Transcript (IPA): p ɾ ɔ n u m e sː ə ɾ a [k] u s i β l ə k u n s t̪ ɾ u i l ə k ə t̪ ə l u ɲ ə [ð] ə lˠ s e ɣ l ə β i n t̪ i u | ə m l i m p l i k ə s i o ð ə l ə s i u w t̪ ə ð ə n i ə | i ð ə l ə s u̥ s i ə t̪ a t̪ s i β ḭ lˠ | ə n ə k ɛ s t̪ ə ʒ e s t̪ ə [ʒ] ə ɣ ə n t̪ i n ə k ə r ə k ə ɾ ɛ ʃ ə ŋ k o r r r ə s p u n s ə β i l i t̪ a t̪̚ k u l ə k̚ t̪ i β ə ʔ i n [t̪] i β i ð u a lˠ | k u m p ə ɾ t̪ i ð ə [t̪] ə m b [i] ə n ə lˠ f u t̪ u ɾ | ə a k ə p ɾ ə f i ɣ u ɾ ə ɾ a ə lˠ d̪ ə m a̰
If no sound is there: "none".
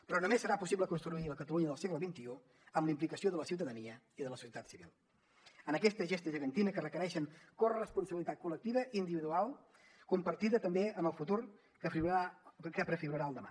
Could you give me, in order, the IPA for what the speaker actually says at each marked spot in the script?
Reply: p, ð, ʒ, d̪, t̪, e

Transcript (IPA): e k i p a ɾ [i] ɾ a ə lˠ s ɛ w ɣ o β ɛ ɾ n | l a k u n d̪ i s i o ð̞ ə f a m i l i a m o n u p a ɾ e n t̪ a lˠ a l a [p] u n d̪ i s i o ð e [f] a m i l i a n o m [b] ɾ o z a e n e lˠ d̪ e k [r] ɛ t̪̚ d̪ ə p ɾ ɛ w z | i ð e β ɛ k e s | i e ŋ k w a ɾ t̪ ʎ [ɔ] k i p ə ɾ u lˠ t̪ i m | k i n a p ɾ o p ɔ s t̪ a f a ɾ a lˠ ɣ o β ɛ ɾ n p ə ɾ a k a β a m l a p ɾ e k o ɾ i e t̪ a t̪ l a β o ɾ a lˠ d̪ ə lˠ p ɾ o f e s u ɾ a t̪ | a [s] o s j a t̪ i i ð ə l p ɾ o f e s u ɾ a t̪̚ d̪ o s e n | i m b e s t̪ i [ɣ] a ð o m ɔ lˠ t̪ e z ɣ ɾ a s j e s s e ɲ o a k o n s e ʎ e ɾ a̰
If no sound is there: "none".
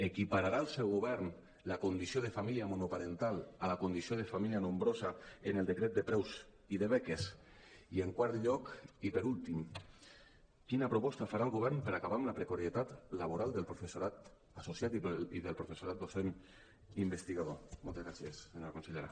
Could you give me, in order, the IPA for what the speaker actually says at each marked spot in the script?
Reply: a, k, f, b, ɾ, ɔ, s, ɣ

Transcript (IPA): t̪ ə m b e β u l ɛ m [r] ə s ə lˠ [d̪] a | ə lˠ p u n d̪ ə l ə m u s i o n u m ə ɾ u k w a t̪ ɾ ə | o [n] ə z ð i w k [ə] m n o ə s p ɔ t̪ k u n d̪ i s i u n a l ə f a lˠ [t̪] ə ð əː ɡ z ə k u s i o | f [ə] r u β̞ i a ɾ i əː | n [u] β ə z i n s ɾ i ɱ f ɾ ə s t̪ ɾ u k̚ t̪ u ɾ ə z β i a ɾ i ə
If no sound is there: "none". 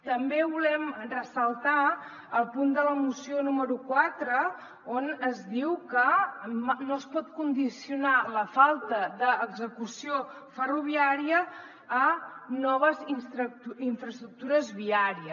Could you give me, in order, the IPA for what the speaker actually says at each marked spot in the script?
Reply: r, t̪, n, ə, t̪, ə, ɔ

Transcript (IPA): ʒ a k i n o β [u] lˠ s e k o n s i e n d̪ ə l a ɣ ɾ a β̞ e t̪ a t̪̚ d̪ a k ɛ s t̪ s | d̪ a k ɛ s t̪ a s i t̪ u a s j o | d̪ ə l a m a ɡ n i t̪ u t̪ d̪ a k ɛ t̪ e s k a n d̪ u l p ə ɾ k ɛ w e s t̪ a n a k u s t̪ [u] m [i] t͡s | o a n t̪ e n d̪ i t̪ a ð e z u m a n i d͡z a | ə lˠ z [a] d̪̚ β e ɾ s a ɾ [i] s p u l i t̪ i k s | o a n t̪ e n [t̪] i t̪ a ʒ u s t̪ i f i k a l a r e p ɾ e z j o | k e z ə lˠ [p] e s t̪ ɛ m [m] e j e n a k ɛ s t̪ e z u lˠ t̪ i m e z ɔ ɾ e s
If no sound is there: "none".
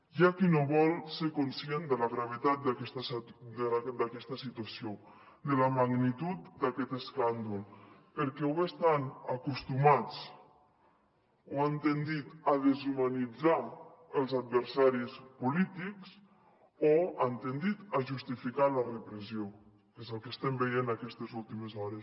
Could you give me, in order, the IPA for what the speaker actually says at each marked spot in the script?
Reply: ɔ, u, a, a, i, d̪, k, b

